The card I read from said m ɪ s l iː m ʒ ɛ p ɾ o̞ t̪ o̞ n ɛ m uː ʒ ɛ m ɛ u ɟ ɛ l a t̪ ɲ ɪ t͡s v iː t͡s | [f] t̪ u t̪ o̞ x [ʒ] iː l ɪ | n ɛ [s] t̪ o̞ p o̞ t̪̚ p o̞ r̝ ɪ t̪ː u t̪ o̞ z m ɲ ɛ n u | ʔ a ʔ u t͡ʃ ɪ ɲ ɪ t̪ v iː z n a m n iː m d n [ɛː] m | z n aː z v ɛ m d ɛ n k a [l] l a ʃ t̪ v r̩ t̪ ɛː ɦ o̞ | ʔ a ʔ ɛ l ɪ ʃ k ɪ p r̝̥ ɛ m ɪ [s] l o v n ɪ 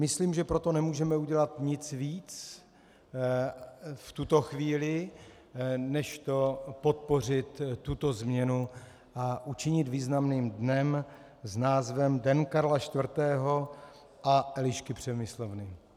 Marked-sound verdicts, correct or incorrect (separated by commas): correct, incorrect, incorrect, incorrect, incorrect, correct